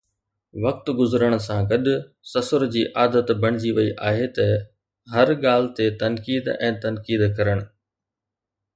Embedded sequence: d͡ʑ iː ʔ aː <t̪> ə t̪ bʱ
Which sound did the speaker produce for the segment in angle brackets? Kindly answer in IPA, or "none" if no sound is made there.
d̪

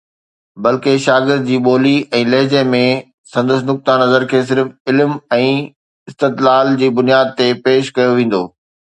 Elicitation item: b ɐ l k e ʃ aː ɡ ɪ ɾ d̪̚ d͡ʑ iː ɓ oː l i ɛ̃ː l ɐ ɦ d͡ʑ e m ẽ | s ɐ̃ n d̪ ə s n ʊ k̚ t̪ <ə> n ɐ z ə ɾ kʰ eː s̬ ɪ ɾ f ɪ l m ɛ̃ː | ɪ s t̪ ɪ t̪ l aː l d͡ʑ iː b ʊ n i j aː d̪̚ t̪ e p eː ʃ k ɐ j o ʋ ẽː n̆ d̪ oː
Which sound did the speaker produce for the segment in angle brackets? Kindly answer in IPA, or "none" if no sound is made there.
a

